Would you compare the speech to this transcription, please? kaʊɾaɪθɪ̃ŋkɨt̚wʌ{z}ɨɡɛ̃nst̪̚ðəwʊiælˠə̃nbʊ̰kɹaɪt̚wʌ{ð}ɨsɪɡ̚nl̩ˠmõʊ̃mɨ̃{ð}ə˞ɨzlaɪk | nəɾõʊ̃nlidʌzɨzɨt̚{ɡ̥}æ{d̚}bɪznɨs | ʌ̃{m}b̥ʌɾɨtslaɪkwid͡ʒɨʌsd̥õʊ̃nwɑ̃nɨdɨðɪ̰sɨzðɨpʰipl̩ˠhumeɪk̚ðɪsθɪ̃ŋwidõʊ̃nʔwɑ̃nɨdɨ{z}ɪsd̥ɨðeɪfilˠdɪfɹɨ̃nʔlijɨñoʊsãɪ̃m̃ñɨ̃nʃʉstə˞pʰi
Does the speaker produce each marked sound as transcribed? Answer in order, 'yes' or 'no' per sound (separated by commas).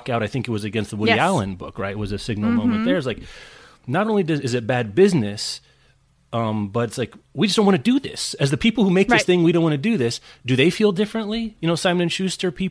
yes, no, yes, no, yes, yes, no